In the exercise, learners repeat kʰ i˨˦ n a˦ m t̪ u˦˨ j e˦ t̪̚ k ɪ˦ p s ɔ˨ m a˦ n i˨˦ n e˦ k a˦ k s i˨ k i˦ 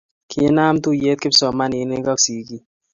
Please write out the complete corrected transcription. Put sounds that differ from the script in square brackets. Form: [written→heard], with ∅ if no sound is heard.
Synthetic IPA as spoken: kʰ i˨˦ n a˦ m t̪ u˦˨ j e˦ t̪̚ k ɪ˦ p s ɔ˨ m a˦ n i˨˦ n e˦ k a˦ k s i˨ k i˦